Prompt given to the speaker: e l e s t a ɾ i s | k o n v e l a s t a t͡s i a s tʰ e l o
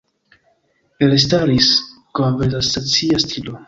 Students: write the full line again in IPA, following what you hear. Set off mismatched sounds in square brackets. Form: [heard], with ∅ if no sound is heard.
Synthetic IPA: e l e s t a ɾ i s | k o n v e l a s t a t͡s i a s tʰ [i] l o